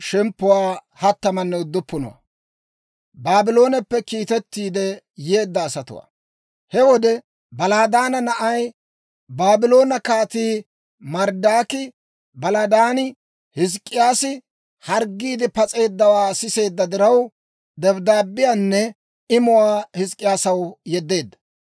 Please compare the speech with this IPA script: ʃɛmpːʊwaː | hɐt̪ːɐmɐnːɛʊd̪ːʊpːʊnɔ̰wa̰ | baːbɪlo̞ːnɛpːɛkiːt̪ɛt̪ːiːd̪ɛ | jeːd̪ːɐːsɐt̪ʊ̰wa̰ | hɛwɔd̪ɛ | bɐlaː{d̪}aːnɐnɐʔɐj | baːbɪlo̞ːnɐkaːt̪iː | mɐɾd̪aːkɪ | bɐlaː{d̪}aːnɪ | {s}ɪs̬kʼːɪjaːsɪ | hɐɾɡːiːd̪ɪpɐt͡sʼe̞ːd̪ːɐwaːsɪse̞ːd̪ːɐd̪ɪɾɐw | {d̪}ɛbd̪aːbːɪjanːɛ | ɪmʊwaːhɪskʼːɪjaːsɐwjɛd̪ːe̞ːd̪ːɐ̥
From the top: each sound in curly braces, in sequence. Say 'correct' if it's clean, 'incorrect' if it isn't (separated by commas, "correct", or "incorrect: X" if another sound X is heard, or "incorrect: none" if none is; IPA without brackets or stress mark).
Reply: correct, correct, incorrect: h, correct